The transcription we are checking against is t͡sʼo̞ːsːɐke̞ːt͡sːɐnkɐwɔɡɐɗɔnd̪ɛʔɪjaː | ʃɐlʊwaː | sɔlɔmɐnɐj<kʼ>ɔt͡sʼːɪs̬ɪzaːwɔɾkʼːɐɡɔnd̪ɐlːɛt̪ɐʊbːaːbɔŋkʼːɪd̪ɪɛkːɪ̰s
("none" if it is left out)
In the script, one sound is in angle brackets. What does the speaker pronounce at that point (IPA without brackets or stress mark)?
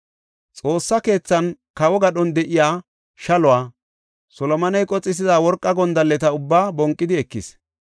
kʼ